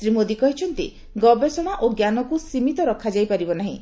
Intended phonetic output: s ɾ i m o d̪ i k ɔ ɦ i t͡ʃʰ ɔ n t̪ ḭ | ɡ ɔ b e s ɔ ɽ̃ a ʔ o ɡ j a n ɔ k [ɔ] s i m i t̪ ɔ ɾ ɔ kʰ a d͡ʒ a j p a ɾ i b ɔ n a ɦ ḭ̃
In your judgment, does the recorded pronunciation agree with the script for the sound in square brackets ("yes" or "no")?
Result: no